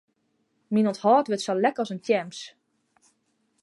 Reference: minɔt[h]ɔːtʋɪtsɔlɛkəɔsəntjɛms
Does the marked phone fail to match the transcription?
no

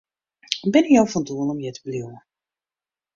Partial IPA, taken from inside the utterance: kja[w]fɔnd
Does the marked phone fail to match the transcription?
no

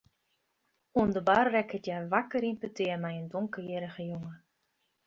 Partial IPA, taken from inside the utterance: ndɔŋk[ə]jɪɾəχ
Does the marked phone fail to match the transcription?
no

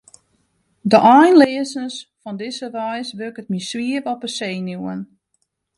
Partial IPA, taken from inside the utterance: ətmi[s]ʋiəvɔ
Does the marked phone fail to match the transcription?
no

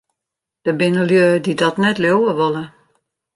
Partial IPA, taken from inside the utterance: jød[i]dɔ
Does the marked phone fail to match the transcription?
no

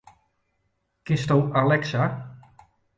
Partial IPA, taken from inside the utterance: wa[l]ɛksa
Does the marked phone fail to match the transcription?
no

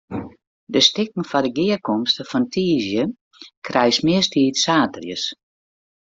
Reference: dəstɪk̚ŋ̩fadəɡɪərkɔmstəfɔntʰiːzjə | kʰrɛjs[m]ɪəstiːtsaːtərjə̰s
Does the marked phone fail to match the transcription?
no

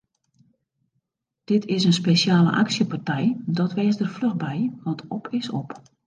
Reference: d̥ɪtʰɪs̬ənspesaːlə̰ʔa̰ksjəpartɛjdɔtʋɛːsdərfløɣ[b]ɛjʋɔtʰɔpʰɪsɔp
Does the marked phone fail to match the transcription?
no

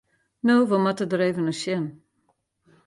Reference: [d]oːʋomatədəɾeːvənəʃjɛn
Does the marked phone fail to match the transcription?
yes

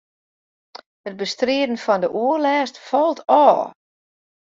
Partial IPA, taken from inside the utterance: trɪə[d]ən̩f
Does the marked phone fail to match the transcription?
no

